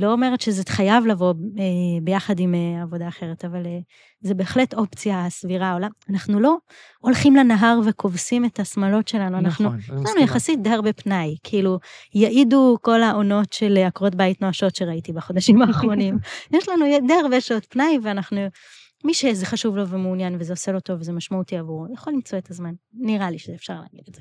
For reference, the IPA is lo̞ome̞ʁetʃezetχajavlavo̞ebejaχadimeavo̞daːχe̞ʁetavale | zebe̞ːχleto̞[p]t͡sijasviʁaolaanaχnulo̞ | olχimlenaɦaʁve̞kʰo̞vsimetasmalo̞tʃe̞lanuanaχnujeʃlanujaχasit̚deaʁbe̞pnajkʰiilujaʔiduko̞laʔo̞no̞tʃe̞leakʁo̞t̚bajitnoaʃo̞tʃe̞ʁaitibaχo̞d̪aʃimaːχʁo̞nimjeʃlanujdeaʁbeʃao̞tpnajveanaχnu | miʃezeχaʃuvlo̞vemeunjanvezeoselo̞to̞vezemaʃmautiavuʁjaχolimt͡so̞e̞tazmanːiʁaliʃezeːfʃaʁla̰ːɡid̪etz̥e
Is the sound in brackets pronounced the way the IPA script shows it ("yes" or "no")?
yes